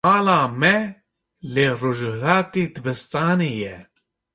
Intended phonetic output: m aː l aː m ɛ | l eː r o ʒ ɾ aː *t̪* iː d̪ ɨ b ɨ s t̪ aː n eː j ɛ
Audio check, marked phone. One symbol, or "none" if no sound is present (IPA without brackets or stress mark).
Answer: t̪